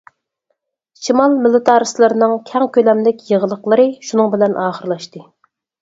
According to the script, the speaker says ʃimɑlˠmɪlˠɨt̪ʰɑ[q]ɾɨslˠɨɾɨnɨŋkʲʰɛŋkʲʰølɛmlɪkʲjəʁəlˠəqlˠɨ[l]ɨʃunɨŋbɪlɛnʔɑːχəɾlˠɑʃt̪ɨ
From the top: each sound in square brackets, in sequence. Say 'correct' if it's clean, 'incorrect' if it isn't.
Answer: incorrect, incorrect

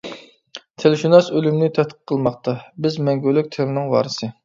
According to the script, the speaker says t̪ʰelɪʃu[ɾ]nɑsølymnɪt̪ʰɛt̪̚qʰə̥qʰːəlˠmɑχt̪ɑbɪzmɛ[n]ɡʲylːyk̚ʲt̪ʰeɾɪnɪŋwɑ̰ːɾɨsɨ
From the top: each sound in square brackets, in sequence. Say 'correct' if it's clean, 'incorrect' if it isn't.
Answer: incorrect, incorrect

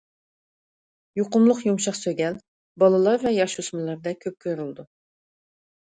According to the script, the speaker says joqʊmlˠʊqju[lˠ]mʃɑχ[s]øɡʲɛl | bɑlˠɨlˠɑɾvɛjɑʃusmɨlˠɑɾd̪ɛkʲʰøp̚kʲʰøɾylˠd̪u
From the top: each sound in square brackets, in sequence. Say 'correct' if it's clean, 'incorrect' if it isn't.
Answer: incorrect, correct

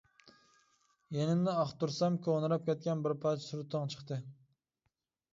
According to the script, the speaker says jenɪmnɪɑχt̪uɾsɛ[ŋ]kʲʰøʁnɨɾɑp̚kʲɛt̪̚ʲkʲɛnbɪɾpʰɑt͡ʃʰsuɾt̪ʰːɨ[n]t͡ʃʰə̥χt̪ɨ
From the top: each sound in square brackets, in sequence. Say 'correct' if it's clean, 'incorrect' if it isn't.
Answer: incorrect, incorrect

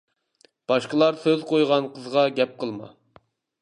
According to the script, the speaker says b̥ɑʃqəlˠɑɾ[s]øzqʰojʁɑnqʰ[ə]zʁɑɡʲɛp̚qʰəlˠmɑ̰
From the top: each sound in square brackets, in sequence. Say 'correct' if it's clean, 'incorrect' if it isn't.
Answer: correct, correct

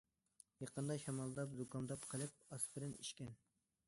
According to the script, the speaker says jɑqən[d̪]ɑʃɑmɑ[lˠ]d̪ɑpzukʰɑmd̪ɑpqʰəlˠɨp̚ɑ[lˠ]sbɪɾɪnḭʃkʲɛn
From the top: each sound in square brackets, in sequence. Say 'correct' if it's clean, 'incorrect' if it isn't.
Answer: correct, correct, incorrect

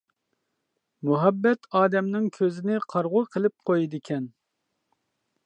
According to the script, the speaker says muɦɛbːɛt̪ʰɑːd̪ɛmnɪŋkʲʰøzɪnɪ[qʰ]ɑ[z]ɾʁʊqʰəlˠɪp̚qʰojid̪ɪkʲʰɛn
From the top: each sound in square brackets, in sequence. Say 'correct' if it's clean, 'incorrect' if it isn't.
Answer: correct, incorrect

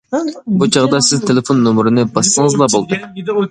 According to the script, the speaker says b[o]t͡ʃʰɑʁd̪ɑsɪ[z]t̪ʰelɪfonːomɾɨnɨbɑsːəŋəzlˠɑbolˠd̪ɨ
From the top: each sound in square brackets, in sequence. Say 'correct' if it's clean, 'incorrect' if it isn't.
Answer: incorrect, correct

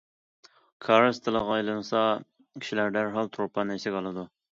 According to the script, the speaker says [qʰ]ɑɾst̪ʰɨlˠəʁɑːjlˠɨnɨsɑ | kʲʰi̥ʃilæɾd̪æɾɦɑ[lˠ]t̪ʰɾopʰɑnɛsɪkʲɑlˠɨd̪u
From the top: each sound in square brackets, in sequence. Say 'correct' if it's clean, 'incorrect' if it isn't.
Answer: incorrect, correct

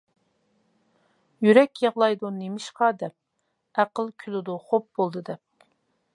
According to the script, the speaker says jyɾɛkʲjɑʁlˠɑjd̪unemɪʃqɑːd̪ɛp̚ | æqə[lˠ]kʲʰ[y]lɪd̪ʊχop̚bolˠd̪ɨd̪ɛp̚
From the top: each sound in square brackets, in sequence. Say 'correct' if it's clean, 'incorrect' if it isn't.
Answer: correct, correct

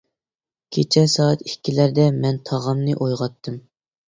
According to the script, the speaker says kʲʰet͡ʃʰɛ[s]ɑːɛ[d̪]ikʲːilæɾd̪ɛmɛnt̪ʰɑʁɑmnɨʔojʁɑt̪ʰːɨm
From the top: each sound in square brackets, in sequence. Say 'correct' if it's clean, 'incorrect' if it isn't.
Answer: correct, incorrect

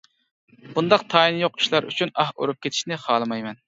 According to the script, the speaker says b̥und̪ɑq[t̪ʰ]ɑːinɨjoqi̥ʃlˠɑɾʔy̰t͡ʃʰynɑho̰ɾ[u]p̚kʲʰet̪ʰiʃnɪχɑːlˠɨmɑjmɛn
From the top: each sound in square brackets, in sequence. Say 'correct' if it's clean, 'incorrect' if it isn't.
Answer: correct, correct

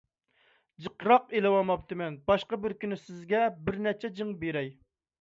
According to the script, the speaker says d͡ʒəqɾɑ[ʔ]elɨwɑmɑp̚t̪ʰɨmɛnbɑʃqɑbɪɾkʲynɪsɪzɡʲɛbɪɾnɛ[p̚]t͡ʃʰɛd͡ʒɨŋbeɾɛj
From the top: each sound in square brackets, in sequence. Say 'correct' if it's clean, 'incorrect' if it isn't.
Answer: incorrect, incorrect

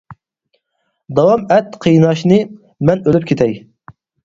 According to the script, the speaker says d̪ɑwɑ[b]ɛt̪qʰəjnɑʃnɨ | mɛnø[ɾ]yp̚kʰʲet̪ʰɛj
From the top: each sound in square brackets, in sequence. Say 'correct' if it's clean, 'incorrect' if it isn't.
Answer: incorrect, incorrect

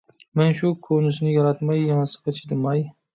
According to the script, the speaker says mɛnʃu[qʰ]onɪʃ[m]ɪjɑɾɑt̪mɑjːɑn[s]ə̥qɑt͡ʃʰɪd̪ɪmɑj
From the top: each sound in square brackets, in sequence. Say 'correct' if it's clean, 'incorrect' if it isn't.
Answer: incorrect, incorrect, correct

